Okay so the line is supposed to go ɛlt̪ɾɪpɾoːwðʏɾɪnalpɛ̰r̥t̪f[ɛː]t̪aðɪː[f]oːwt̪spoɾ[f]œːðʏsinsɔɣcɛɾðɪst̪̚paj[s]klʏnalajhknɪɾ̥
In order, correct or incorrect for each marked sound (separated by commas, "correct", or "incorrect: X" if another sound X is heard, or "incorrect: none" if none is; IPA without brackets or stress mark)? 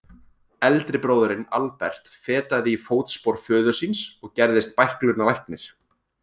correct, correct, correct, incorrect: h